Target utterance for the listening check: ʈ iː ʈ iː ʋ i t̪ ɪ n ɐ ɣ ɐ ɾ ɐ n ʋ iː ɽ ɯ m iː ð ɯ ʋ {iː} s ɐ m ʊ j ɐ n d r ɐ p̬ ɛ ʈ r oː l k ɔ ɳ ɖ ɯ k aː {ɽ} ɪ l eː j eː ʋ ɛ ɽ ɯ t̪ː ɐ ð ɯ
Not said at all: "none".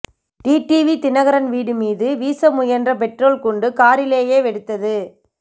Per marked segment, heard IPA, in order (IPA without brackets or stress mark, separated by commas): iː, ɾ